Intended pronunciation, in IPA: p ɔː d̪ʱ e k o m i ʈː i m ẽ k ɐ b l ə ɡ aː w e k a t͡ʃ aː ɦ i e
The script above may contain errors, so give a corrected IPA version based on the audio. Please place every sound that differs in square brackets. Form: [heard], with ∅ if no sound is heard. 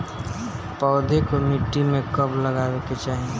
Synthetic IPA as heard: p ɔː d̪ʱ e k o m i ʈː i m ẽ k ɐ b l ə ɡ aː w e k [e] t͡ʃ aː ɦ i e